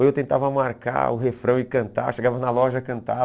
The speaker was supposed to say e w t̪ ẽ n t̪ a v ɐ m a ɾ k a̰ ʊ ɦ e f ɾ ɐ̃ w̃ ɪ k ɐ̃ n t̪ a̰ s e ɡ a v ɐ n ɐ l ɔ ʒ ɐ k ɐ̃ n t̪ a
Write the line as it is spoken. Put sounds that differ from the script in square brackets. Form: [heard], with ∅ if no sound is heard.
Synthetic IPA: e w t̪ ẽ n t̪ a v ɐ m a ɾ k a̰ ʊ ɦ e f ɾ ɐ̃ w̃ ɪ k ɐ̃ n t̪ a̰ [ʃ] e ɡ a v ɐ n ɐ l ɔ ʒ ɐ k ɐ̃ n t̪ a